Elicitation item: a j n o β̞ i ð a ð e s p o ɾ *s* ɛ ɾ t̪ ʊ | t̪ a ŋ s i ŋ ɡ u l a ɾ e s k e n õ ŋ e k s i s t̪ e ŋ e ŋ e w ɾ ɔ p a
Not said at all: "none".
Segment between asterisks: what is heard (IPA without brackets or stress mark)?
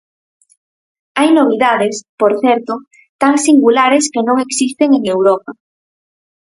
θ